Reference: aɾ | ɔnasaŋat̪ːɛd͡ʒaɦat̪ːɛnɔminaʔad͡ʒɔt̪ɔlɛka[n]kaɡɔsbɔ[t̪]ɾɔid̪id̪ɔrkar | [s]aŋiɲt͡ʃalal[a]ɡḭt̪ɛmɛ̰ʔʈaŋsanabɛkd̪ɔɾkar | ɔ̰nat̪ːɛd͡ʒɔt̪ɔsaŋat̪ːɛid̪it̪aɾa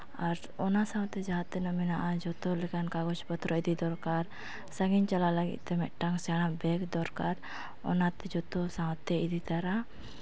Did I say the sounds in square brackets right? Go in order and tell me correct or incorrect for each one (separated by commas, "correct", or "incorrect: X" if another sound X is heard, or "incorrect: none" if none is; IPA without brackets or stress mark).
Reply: correct, correct, correct, correct